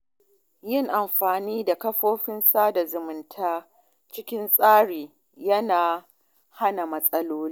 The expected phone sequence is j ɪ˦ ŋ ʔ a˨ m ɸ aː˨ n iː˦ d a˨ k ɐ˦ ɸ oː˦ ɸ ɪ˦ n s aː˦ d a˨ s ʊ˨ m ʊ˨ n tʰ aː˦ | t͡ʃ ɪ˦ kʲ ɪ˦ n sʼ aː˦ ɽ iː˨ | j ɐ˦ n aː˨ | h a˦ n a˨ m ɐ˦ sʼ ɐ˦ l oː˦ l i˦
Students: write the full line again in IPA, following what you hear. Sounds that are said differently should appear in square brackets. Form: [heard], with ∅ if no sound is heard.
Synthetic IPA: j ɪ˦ ŋ ʔ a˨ m ɸ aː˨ n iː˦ d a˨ k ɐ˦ ɸ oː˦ ɸ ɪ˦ n s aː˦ d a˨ [z] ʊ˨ m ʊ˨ n tʰ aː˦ | t͡ʃ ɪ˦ kʲ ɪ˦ n sʼ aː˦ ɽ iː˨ | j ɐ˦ n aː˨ | h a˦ n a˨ m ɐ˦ sʼ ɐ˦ l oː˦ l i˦